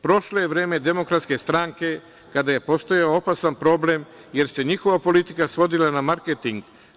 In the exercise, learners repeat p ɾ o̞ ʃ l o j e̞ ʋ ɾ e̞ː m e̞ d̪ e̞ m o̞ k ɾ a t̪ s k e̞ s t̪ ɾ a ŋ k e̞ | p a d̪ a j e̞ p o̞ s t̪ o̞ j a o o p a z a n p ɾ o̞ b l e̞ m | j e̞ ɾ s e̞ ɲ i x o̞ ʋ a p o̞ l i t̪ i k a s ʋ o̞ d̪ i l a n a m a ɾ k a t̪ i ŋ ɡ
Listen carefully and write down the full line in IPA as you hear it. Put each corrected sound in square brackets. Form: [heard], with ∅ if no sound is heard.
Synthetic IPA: p ɾ o̞ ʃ l o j e̞ ʋ ɾ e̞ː m e̞ d̪ e̞ m o̞ k ɾ a t̪ s k e̞ s t̪ ɾ a ŋ k e̞ | [k] a d̪ a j e̞ p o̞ s t̪ o̞ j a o o p a [s] a n p ɾ o̞ b l e̞ m | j e̞ ɾ s e̞ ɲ i x o̞ ʋ a p o̞ l i t̪ i k a s ʋ o̞ d̪ i l a n a m a ɾ k [e] t̪ i ŋ ɡ